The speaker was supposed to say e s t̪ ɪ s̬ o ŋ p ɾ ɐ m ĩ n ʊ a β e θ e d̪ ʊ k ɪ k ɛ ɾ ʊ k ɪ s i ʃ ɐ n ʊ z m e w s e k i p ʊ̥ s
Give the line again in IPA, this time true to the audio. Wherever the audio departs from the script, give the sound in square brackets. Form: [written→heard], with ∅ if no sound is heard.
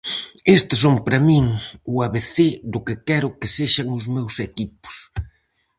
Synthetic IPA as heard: e s t̪ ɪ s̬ o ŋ p ɾ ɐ m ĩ [n→ŋ] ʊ a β e θ e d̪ ʊ k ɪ k ɛ ɾ ʊ k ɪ s [i→e] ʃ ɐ [n→ŋ] ʊ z m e w s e k i p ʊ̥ s